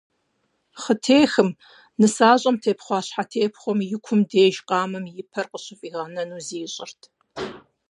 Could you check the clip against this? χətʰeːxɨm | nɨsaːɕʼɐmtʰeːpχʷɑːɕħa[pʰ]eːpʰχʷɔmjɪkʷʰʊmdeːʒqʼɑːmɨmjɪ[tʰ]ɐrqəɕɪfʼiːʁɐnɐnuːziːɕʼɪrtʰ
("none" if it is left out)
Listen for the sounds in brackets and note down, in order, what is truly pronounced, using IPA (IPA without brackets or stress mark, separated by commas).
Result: tʰ, pʰ